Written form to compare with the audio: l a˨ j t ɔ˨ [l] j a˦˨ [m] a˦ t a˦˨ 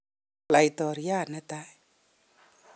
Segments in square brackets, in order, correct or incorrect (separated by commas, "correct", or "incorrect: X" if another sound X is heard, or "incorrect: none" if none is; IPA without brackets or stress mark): incorrect: ɾ, incorrect: n